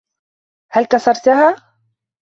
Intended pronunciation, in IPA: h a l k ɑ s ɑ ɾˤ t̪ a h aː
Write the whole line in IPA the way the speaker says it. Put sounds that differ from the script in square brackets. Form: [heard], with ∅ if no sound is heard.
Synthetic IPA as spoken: h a l k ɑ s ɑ ɾˤ t̪ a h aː